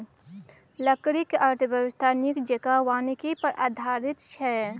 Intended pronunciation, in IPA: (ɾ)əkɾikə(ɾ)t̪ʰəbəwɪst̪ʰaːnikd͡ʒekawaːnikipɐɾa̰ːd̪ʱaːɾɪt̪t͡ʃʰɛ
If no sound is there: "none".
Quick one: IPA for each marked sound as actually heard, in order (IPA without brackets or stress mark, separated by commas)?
l, ɾ